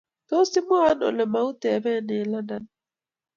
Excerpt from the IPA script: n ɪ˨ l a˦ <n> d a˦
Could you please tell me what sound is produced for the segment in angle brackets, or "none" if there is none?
n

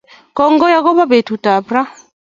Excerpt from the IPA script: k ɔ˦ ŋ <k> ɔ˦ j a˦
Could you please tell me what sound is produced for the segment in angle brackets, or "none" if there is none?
ɡ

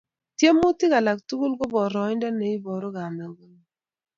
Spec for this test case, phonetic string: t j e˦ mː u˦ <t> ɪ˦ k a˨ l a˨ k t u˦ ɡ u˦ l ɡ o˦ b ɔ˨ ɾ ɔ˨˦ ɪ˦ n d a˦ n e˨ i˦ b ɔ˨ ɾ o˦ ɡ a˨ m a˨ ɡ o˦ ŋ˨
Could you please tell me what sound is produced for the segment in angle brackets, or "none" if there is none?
t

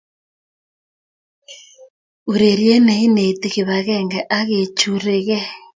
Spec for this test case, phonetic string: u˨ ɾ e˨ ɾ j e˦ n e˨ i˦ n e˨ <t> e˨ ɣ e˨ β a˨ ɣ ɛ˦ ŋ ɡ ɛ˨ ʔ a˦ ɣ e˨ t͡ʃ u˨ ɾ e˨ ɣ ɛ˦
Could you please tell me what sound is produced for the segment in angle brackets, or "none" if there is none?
t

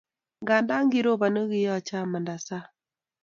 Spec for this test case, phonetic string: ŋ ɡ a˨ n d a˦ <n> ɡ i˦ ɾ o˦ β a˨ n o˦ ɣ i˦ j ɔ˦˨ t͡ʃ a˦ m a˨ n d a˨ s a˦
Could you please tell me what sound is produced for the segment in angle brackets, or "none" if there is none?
ŋ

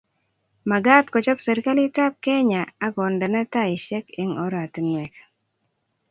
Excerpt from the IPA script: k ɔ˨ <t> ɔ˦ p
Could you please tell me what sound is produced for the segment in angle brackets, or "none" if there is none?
t͡ʃ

